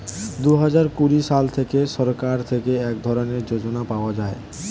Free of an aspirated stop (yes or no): no